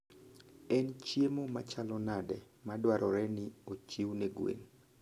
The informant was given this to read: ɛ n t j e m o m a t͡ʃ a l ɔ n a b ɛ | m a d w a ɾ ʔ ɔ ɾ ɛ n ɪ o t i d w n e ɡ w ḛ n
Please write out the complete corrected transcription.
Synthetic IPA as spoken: ɛ n t͡ʃ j e m o m a t͡ʃ a l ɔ n a d ɛ | m a d w a ɾ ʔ ɔ ɾ ɛ n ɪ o t͡ʃ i w n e ɡ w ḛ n